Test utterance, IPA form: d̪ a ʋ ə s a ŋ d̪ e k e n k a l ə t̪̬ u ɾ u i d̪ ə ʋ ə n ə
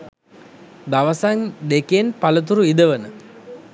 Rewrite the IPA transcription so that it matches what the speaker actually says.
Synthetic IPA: d̪ a ʋ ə s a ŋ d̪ e k e n p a l ə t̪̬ u ɾ u i d̪ ə ʋ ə n ə